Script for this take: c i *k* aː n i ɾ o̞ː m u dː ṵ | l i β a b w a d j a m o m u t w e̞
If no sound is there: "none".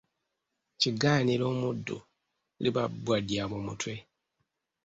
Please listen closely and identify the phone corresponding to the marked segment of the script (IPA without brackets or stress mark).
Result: ɡ